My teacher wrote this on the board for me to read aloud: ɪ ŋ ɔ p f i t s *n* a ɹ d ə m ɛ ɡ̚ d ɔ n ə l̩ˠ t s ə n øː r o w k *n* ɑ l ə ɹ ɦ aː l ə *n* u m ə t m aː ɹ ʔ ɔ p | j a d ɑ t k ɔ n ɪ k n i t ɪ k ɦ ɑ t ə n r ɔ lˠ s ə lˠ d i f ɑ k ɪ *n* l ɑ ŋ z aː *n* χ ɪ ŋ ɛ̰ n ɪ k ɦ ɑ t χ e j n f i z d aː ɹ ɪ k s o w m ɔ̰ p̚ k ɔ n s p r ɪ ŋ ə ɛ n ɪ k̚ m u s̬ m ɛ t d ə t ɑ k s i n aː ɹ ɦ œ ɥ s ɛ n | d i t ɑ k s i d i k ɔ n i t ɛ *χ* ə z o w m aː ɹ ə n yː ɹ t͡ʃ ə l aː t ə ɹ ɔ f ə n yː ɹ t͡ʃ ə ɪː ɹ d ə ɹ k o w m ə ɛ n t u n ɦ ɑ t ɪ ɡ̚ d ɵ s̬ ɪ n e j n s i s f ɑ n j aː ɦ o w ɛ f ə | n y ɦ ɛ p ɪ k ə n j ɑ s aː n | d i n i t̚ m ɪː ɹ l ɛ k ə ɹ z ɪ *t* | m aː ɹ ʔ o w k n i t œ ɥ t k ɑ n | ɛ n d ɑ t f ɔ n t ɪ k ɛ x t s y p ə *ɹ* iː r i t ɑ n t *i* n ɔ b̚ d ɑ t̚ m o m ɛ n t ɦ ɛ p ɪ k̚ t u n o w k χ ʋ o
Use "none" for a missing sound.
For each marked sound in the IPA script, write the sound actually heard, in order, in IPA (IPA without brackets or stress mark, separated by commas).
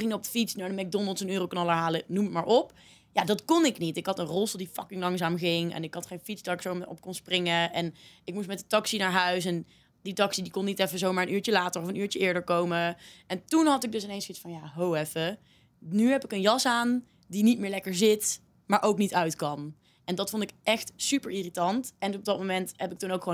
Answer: n, n, n, ŋ, m, f, t, ɹ, ɛ